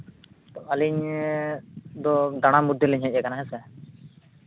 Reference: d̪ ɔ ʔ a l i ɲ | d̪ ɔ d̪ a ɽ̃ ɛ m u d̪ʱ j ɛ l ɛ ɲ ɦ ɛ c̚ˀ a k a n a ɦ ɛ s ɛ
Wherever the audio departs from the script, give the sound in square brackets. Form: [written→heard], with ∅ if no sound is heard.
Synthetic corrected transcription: [d̪→t̪] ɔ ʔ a l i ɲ | d̪ ɔ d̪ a ɽ̃ [ɛ→a] m u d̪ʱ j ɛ l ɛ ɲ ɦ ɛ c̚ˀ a k a n a ɦ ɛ s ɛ